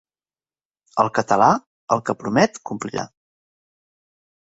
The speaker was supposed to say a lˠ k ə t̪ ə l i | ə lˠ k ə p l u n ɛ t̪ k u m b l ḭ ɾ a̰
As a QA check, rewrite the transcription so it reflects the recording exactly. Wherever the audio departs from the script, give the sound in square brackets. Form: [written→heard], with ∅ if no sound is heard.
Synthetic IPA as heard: [a→ə] lˠ k ə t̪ ə l [i→a] | ə lˠ k ə p [l→ɾ] u [n→m] ɛ t̪ k u m [b→p] l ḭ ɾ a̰